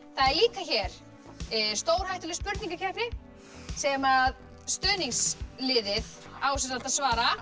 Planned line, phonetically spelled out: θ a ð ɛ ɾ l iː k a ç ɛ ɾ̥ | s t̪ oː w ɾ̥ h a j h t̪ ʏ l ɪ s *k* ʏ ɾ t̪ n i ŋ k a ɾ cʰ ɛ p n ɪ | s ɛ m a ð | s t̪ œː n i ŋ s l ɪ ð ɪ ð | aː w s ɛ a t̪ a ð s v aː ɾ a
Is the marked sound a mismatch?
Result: yes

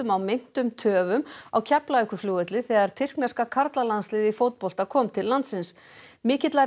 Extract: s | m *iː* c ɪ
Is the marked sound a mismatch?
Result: yes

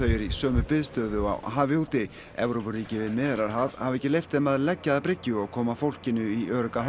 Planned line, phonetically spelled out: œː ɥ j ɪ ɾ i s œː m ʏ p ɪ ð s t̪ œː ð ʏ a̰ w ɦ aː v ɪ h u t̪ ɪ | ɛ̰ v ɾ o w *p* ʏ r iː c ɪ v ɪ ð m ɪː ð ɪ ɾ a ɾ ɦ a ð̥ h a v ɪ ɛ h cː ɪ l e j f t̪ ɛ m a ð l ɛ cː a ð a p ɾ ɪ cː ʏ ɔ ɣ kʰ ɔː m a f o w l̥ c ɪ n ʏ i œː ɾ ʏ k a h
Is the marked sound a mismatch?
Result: no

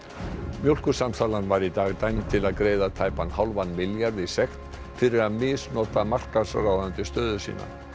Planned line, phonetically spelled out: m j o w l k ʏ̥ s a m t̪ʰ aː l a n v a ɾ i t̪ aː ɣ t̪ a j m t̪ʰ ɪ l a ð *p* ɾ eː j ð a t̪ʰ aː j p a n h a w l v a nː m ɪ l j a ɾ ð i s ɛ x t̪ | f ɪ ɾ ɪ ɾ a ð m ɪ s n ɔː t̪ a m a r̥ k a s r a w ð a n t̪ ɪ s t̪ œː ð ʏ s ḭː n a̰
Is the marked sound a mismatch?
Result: yes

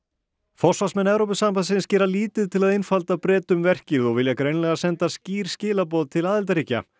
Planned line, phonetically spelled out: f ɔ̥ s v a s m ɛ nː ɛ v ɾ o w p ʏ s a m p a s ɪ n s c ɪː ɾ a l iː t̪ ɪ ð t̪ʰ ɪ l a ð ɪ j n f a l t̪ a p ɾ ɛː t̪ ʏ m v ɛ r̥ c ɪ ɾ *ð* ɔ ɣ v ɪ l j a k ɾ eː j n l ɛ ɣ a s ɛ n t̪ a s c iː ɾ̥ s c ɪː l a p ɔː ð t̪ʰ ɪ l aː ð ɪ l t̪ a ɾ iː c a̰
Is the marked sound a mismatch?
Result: no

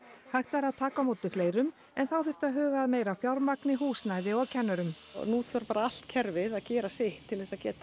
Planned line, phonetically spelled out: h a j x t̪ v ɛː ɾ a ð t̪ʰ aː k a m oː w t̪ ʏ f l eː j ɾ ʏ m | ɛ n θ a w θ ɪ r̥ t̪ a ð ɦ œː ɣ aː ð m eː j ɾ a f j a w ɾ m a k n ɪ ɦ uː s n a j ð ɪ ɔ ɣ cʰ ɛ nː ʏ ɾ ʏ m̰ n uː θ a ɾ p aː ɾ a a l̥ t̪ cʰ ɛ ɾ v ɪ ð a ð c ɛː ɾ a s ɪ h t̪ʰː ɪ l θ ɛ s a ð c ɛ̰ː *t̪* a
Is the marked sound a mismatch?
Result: no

